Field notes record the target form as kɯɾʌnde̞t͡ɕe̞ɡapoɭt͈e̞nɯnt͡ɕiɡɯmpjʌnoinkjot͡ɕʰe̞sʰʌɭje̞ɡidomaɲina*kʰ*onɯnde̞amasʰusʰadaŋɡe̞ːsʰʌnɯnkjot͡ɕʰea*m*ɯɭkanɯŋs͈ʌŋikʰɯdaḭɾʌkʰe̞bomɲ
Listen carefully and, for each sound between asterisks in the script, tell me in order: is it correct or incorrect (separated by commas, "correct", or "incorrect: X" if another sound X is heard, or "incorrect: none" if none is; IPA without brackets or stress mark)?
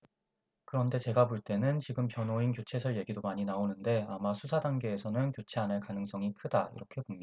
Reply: incorrect: none, incorrect: n